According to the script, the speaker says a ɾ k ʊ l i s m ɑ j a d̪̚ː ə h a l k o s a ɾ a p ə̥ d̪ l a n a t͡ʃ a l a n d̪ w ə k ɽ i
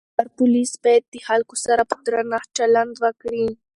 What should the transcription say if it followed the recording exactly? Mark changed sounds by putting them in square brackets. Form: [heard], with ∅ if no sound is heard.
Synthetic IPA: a ɾ [p] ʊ l i s [b] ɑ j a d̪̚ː ə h a l k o s a ɾ a p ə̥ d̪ [ɾ] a n a t͡ʃ a l a n d̪ w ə k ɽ i